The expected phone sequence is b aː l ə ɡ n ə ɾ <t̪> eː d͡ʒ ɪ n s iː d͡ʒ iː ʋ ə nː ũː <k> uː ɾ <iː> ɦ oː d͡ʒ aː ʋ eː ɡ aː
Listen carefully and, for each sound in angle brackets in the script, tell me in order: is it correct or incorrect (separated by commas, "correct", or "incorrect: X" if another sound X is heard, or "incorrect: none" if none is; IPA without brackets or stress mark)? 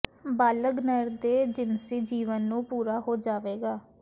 incorrect: d̪, incorrect: p, incorrect: aː